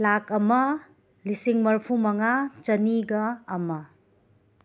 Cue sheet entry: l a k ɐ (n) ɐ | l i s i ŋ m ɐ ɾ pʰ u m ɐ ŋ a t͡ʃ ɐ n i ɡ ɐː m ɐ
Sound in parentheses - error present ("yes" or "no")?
yes